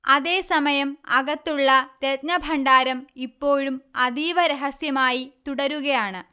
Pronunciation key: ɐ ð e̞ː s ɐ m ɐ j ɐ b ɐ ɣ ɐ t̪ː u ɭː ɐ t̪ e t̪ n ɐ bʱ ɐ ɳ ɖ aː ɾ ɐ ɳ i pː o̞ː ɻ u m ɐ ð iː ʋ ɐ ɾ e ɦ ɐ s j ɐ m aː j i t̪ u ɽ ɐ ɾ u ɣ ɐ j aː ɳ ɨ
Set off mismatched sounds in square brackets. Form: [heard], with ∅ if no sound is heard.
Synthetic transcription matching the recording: ɐ ð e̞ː s ɐ m ɐ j ɐ [m] ɐ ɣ ɐ t̪ː u ɭː ɐ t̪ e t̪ n ɐ bʱ ɐ ɳ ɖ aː ɾ ɐ [m] i pː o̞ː ɻ u m ɐ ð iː ʋ ɐ ɾ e ɦ ɐ s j ɐ m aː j i t̪ u ɽ ɐ ɾ u ɣ ɐ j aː ɳ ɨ